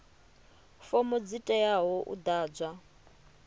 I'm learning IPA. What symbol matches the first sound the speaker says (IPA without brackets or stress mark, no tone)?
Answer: f